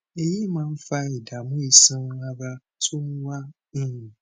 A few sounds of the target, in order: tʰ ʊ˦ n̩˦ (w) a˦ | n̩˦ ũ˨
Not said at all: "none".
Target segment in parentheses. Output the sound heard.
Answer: w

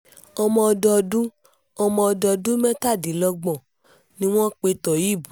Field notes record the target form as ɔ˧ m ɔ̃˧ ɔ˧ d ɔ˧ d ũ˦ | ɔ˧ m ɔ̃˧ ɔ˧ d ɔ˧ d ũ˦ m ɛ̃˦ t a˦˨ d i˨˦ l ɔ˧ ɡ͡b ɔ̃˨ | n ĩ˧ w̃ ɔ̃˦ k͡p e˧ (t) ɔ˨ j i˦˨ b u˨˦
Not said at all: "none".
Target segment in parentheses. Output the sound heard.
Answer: t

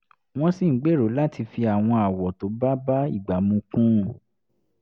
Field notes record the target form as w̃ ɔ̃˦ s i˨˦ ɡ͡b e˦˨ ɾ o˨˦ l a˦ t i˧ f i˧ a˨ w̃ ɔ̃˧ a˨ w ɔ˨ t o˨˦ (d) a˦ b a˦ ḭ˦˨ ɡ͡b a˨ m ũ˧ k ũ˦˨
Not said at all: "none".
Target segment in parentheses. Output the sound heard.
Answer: b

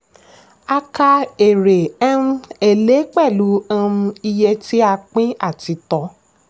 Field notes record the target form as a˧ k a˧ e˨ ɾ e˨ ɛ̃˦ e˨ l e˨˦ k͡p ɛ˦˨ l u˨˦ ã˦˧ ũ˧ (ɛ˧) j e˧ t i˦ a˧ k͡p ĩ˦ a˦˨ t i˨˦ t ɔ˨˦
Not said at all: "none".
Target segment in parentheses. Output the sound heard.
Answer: i˧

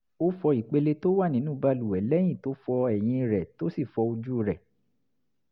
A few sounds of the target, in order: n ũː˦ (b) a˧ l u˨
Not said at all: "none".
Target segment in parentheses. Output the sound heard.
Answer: b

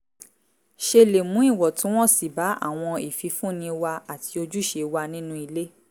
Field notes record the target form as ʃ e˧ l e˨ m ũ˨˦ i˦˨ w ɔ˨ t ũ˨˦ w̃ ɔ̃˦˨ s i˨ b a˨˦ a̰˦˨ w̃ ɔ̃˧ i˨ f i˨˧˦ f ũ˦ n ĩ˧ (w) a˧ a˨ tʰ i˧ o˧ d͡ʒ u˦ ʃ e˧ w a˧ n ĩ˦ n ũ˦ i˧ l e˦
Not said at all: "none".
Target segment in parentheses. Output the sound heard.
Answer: w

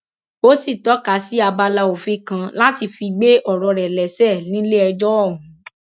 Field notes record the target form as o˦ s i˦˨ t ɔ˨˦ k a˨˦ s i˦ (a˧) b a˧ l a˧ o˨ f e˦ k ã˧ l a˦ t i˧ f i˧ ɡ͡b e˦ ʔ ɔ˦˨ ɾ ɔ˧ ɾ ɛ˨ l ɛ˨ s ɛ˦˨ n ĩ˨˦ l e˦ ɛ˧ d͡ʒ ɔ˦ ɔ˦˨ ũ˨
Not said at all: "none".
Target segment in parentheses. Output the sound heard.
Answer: a˧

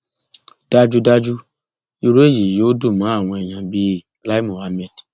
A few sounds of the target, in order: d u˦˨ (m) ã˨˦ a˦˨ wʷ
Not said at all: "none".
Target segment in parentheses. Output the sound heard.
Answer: m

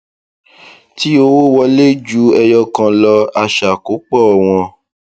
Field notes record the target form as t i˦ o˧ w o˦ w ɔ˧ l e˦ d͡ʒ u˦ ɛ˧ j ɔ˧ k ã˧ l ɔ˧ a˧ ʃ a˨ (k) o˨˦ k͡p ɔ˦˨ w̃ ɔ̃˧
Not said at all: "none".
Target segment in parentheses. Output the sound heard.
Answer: k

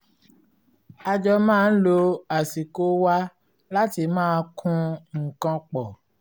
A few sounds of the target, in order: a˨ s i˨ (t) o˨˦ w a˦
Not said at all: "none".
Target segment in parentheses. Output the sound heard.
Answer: k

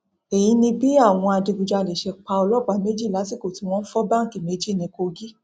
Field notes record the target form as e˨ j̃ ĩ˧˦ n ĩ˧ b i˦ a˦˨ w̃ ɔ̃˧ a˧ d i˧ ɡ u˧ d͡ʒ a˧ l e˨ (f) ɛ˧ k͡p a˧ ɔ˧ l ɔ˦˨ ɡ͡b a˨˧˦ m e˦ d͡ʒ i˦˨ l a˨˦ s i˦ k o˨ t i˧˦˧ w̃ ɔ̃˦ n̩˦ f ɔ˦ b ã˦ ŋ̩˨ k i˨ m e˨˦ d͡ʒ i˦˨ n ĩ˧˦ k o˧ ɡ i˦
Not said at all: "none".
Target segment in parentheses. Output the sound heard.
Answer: ʃ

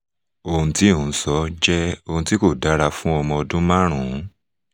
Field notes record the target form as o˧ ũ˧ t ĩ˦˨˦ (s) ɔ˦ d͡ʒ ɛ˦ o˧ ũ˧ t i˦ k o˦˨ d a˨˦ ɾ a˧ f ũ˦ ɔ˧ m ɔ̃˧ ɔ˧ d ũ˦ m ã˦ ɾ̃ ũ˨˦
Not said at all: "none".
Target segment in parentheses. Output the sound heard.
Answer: s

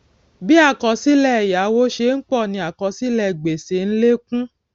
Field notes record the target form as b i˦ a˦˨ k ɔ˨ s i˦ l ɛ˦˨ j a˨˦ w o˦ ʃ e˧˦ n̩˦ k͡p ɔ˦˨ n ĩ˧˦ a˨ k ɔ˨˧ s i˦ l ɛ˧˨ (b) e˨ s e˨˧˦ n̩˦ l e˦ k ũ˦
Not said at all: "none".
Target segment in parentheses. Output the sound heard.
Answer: ɡ͡b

